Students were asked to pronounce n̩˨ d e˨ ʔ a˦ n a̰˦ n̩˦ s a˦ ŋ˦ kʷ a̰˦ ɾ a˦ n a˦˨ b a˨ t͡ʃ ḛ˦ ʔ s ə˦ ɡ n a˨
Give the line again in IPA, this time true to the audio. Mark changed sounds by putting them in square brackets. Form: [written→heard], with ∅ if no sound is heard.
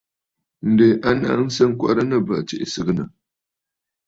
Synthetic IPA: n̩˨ d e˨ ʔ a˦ n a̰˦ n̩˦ s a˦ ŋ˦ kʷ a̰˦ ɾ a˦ n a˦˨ b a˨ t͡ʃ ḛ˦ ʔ s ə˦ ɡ n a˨